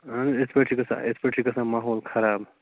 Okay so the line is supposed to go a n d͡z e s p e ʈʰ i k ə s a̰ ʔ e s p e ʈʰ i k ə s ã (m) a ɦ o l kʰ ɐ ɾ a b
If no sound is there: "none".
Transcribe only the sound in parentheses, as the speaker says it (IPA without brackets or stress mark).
m